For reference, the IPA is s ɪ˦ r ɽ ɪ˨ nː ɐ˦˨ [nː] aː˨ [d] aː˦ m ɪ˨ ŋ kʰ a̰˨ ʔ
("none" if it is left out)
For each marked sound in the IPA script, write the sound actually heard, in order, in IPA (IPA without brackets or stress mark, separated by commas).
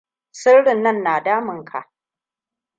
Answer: nː, d